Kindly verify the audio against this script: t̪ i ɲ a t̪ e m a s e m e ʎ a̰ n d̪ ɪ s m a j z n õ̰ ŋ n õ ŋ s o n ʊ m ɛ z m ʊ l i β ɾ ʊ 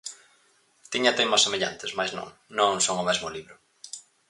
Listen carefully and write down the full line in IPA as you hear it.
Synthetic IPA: t̪ i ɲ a t̪ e m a s e m e ʎ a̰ n t̪ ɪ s m a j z n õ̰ ŋ n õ ŋ s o ŋ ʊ m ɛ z m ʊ l i β ɾ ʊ